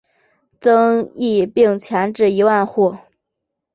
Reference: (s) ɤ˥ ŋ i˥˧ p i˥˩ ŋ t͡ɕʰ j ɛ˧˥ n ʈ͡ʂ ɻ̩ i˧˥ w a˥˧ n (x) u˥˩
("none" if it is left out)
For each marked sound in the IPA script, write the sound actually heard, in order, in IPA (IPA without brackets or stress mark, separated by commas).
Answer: t͡s, x